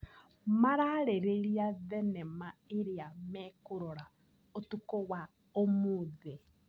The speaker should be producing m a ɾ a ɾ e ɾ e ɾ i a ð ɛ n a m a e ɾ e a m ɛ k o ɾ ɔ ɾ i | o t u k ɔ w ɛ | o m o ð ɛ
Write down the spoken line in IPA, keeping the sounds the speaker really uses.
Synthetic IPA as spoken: m a ɾ a ɾ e ɾ e ɾ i a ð ɛ n ɛ m a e ɾ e a m ɛ k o ɾ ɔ ɾ a | o t u k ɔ w a | o m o ð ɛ